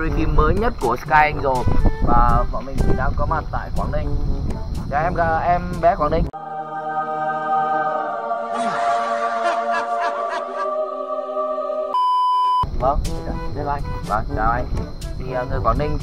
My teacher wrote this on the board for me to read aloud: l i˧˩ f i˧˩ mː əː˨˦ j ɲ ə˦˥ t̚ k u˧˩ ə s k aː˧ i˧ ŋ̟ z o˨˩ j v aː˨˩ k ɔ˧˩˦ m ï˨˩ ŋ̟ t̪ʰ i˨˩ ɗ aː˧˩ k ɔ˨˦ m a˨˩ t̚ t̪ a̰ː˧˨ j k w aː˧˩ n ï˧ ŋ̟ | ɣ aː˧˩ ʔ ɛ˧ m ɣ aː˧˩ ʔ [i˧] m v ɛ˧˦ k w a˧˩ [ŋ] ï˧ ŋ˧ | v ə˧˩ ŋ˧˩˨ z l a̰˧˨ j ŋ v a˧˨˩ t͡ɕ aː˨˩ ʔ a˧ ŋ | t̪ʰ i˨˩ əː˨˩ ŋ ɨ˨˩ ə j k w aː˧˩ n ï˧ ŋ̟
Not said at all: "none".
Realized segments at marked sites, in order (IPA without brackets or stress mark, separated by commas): ɛ˧, n